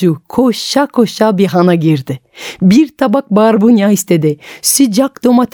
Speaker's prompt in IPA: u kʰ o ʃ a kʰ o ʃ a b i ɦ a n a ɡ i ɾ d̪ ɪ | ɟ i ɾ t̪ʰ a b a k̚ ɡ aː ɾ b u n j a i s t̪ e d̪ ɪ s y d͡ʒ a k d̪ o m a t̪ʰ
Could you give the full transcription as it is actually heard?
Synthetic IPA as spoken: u kʰ o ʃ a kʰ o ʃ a b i ɦ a n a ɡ i ɾ d̪ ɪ | b i ɾ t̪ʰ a b a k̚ b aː ɾ b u n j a i s t̪ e d̪ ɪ s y d͡ʒ a k d̪ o m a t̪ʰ